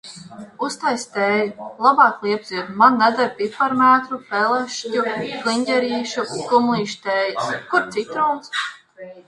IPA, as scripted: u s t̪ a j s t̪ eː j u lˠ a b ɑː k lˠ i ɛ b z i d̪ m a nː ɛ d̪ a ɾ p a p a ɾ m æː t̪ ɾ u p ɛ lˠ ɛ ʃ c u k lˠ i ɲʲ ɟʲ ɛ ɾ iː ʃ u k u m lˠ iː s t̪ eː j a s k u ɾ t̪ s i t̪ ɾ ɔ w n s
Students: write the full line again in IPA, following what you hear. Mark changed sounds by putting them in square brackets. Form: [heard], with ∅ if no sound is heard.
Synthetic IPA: u s t̪ a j s t̪ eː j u lˠ a b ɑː k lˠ i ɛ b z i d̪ m a nː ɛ d̪ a ɾ p [i] p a ɾ m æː t̪ ɾ u p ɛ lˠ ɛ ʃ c u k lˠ i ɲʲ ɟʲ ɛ ɾ iː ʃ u k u m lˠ iː [ʃ] t̪ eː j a s k u ɾ t̪ s i t̪ ɾ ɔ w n s

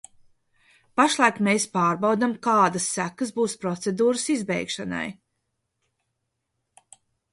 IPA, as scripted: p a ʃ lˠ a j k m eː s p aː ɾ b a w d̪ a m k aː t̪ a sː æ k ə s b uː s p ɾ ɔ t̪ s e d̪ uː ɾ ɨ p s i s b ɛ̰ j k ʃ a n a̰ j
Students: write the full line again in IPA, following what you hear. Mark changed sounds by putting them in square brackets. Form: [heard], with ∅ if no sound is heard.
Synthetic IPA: p a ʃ lˠ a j k m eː s p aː ɾ b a w d̪ a m k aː [d̪] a sː æ k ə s b uː s p ɾ ɔ t̪ s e d̪ uː ɾ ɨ [∅] s i [z] b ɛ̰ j k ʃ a n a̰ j

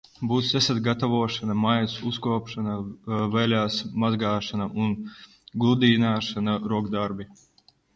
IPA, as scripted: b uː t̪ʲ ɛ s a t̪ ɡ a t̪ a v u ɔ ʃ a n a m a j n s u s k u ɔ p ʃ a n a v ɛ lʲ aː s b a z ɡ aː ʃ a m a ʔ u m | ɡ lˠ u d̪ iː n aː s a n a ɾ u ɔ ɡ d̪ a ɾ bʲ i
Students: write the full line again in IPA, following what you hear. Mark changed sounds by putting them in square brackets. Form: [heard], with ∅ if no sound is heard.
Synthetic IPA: b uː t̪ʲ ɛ s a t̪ ɡ a t̪ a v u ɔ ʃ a n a m a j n s u s k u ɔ p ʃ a n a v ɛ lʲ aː s [m] a z ɡ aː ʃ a [n] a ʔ u [n] | ɡ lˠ u d̪ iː n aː [ʃ] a n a ɾ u ɔ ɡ d̪ a ɾ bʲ i

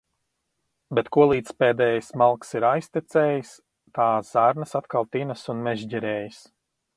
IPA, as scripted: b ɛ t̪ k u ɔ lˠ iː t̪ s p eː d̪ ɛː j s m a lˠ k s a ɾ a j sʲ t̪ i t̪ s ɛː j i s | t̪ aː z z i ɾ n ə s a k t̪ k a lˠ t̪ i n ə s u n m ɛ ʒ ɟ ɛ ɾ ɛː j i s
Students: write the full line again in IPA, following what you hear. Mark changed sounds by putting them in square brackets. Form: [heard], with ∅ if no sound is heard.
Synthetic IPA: b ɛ t̪ k u ɔ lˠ iː t̪ s p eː d̪ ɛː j s m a lˠ k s [i] ɾ a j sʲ t̪ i t̪ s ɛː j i s | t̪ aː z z [a] ɾ n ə s a [∅] t̪ k a lˠ t̪ i n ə s u n m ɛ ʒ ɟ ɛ ɾ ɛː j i s

